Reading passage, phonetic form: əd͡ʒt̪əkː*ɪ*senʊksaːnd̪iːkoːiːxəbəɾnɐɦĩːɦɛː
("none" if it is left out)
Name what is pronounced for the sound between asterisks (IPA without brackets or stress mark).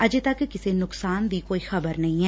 ɪ